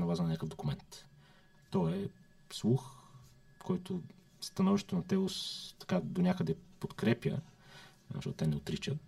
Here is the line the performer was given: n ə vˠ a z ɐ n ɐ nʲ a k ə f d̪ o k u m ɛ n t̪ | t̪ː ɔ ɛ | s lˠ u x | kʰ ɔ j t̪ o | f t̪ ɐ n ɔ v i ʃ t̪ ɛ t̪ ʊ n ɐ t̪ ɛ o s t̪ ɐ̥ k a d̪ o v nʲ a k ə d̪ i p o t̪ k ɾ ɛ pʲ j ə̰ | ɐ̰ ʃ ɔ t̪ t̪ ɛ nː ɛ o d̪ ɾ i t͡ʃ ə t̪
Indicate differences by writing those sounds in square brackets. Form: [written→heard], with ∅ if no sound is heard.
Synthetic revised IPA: n [ə→ɐ] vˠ a z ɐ n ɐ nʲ a k ə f d̪ o k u m ɛ n t̪ | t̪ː ɔ ɛ | s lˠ u x | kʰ ɔ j t̪ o | [f→s] t̪ ɐ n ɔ v i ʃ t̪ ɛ t̪ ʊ n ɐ t̪ ɛ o s t̪ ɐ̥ k a d̪ o [v→∅] nʲ a k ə d̪ [i→ɛ] p o t̪ k ɾ ɛ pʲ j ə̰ | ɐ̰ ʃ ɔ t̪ t̪ ɛ [nː→n] ɛ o [d̪→t̪] ɾ i t͡ʃ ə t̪